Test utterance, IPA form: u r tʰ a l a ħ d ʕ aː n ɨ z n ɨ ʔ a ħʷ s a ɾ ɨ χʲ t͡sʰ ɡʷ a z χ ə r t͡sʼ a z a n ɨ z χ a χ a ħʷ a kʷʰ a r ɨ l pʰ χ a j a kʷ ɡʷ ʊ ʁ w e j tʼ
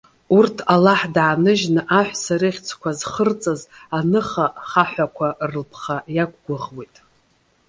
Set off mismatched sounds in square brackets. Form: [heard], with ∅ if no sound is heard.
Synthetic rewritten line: u r tʰ a l a ħ d ʕ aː n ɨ [ʒ] n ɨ ʔ a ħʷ s a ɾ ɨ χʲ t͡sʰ [kʷ] a z χ ə r t͡sʼ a z a n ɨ [∅] χ a χ a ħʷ a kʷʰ a r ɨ l pʰ χ a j a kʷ ɡʷ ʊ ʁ w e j tʼ